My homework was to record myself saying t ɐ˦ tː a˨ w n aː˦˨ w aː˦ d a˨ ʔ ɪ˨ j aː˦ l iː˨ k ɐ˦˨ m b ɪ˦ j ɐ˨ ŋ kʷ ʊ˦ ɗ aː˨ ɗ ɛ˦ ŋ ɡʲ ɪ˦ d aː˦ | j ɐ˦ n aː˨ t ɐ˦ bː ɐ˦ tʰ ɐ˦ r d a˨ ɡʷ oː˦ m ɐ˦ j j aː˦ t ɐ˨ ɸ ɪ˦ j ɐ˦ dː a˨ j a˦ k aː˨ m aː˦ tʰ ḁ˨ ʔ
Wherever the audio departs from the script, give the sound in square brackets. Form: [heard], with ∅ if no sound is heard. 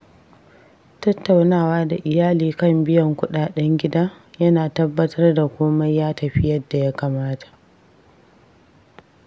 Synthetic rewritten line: t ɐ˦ tː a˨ w n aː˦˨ w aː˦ d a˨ ʔ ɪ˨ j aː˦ l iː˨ k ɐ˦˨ m b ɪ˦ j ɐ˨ ŋ kʷ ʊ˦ ɗ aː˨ ɗ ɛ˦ ŋ ɡʲ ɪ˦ d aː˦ | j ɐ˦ n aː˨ t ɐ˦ bː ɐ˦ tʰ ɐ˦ r d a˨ [kʷ] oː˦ m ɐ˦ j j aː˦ t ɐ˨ ɸ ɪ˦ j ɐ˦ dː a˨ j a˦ k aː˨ m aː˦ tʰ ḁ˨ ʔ